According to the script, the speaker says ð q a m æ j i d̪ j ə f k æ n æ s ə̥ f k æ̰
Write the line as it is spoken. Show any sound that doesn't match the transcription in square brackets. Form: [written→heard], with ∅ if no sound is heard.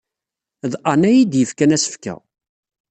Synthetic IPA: ð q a [m→n] æ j i d̪ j ə f k æ n æ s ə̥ f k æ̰